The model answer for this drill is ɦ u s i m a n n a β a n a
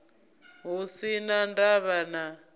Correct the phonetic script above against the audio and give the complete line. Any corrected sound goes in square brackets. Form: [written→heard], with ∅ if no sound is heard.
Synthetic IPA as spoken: ɦ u s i [m→n] a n [n→d] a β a n a